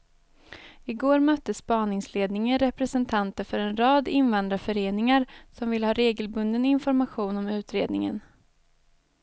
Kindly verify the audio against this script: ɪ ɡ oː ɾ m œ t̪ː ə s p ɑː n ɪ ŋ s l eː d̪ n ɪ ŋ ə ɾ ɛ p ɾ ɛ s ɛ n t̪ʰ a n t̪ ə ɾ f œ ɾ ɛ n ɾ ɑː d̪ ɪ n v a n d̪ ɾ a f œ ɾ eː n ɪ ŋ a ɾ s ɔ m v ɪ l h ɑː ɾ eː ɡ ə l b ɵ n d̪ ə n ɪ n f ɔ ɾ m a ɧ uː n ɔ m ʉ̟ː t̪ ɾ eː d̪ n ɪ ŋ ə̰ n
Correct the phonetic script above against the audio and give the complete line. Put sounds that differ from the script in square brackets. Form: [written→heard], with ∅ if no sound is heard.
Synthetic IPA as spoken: ɪ ɡ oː ɾ m œ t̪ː ə s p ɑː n ɪ ŋ s l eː d̪ n ɪ ŋ ə ɾ ɛ p ɾ ɛ s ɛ n t̪ʰ a n t̪ ə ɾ f œ ɾ ɛ n ɾ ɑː d̪ ɪ n v a n d̪ ɾ a f œ ɾ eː n ɪ ŋ a ɾ s ɔ m v ɪ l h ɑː ɾ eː ɡ ə l b ɵ n d̪ ə n ɪ n f ɔ ɾ m a ɧ uː n ɔ m ʉ̟ː t̪ ɾ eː d̪ n ɪ ŋ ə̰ n